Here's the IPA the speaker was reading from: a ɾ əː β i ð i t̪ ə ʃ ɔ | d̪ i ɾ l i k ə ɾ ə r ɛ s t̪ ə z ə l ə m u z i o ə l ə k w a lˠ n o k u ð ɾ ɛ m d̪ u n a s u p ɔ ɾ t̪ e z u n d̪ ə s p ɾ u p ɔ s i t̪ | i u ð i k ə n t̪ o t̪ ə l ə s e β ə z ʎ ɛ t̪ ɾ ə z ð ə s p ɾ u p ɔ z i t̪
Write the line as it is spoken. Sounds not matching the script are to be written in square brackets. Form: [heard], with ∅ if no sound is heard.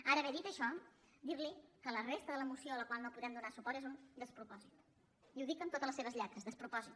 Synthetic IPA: a ɾ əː β [ɛ] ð i t̪ ə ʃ ɔ | d̪ i ɾ l i k ə [l] ə r [e] s t̪ ə [ð] ə l ə m u [s] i o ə l ə k w a lˠ n o [p] u ð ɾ ɛ m d̪ u n a s u p ɔ ɾ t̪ e z u n d̪ ə s p ɾ u p ɔ [z] i t̪ | i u ð i k ə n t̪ o t̪ ə l ə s e β ə z ʎ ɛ t̪ ɾ ə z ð ə s p ɾ u p ɔ z i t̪

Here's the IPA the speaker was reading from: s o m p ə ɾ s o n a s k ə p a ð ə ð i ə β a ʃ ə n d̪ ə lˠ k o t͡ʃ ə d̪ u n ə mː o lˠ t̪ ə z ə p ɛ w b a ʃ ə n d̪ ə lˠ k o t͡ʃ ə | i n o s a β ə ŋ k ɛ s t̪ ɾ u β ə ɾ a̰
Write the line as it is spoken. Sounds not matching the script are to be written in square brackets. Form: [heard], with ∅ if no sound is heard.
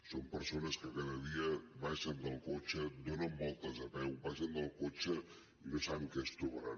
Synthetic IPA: s o m p ə ɾ s o n [ə] s k ə [k] a ð ə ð i ə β a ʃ ə n d̪ ə lˠ k o t͡ʃ ə d̪ [o] n ə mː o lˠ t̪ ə z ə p ɛ w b a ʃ ə n d̪ ə lˠ k o t͡ʃ ə | i n o s a β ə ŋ k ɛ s t̪ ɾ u β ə ɾ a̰

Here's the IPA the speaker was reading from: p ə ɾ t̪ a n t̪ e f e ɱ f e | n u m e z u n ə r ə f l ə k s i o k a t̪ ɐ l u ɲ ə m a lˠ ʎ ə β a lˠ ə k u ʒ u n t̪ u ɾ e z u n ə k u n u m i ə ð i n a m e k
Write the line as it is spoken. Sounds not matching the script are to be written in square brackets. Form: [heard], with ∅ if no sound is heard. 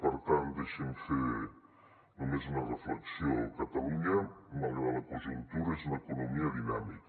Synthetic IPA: p ə ɾ t̪ a n [d̪] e [ʃ] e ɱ f e | n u m e z u n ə r ə f l ə k s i o k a t̪ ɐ l u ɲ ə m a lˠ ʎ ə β a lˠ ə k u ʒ u n t̪ u ɾ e z u n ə k u n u m i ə ð i n a m [i] k

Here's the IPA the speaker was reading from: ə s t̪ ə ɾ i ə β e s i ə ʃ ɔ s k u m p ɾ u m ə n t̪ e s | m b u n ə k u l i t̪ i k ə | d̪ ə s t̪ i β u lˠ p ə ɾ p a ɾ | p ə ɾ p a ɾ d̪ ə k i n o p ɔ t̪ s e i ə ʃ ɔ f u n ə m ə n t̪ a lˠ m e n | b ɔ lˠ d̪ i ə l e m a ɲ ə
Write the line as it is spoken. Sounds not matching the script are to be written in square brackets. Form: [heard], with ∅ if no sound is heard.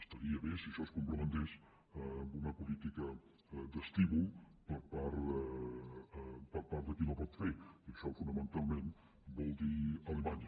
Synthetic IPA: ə s t̪ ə ɾ i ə β e s i ə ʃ ɔ s k u m p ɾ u m ə n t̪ e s | m b u n ə [p] u l i t̪ i k ə | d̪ ə s t̪ i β u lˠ p ə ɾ p a ɾ | p ə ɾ p a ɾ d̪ ə k i n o p ɔ t̪ [f] e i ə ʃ ɔ f u n ə m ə n t̪ a lˠ m e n | b ɔ lˠ d̪ i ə l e m a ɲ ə

